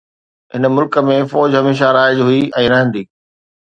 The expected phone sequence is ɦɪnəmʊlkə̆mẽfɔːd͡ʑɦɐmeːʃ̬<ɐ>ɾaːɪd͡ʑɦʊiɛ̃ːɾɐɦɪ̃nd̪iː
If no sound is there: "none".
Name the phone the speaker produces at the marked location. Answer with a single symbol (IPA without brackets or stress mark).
a